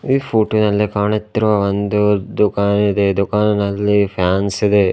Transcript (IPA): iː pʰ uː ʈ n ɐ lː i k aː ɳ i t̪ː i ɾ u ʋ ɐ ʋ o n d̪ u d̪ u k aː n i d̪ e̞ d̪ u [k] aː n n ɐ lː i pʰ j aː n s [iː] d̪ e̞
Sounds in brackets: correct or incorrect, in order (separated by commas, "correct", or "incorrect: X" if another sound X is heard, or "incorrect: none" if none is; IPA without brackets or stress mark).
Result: correct, incorrect: i